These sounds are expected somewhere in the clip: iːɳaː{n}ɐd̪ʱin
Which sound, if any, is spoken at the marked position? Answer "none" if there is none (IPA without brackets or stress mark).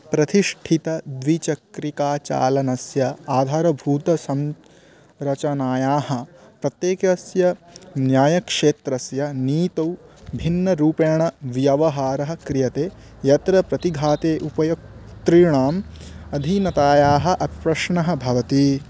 m